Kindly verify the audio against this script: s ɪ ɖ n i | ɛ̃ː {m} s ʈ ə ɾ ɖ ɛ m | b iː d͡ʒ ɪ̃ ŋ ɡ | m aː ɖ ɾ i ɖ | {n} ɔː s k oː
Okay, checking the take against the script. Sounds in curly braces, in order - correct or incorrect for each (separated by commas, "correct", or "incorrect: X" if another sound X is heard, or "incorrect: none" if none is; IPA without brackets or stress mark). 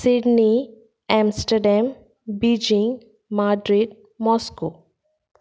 correct, incorrect: m